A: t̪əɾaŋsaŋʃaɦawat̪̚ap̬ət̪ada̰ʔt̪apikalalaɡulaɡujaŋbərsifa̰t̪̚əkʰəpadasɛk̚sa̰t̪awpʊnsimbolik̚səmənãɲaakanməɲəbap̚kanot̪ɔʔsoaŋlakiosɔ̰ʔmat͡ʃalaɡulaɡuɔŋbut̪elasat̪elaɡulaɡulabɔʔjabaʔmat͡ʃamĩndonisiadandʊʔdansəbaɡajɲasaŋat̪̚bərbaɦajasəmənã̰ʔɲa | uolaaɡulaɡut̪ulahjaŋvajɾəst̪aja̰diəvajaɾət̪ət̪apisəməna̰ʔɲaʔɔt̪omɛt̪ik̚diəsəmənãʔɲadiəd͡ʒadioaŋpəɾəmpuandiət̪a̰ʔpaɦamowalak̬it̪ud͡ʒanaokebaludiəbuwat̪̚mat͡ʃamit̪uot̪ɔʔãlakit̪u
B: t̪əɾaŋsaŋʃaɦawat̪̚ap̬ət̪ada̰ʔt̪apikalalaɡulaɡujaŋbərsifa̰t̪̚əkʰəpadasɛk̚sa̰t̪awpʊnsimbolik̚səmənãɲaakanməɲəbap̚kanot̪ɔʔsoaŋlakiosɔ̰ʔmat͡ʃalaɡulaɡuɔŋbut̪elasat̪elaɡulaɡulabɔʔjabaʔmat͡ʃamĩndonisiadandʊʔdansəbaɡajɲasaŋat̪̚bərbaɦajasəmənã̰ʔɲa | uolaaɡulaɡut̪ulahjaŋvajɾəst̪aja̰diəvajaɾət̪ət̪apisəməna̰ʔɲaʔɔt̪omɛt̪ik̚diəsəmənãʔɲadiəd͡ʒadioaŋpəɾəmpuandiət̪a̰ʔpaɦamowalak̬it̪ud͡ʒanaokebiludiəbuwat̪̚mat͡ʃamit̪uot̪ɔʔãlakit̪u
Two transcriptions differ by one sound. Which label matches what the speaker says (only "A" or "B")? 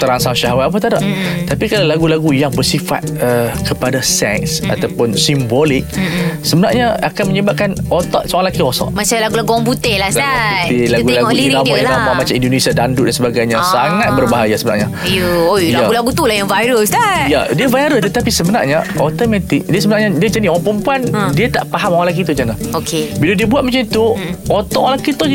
B